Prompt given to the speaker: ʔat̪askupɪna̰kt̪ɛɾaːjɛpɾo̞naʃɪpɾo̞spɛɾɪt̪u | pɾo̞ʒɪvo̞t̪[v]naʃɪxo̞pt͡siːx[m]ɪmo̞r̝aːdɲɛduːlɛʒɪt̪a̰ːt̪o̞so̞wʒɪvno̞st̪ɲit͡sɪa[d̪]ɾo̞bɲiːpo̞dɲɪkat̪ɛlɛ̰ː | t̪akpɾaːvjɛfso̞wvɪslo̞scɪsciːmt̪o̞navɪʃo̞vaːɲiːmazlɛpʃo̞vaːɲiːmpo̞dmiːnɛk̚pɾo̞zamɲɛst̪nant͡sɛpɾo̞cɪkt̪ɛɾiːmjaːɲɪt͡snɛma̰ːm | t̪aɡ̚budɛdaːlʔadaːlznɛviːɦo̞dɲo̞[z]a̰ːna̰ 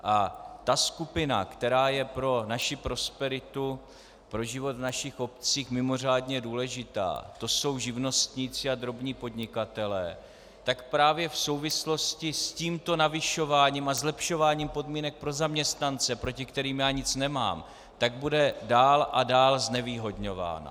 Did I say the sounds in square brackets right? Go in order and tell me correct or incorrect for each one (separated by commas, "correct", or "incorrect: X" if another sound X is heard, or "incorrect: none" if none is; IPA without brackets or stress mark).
correct, correct, correct, incorrect: v